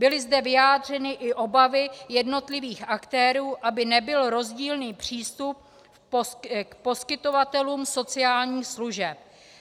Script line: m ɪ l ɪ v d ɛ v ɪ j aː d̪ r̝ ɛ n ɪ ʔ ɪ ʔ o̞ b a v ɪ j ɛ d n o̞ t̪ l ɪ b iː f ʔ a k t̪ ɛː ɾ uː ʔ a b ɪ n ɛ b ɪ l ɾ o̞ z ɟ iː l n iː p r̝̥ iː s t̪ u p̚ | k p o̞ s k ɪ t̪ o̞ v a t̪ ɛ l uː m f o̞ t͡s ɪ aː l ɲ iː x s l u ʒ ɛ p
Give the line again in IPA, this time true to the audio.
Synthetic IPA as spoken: b ɪ l ɪ z d ɛ v ɪ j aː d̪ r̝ ɛ n ɪ ʔ ɪ ʔ o̞ b a v ɪ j ɛ d n o̞ t̪ l ɪ v iː x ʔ a k t̪ ɛː ɾ uː ʔ a b ɪ n ɛ b ɪ l ɾ o̞ z ɟ iː l n iː p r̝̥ iː s t̪ u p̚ | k p o̞ s k ɪ t̪ o̞ v a t̪ ɛ l uː m s o̞ t͡s ɪ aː l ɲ iː x s l u ʒ ɛ p